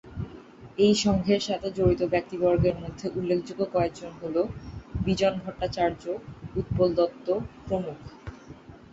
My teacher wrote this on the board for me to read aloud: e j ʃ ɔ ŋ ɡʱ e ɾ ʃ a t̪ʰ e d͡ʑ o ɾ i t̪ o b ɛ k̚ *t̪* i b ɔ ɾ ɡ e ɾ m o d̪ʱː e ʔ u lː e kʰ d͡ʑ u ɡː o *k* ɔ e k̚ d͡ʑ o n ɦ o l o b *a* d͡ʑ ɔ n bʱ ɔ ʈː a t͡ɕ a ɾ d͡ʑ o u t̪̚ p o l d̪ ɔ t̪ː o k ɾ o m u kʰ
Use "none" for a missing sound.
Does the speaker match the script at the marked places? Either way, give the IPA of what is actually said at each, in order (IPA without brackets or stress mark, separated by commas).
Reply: t̪, k, i